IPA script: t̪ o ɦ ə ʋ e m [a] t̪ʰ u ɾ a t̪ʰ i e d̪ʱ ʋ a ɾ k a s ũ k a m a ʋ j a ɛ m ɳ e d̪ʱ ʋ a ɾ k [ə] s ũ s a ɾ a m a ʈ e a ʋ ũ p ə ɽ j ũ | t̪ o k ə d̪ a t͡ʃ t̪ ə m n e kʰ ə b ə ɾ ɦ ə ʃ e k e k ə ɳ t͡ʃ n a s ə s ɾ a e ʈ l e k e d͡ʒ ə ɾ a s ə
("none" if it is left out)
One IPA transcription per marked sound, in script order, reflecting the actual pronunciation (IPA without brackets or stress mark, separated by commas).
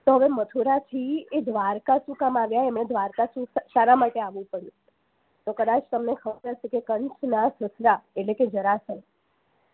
ə, a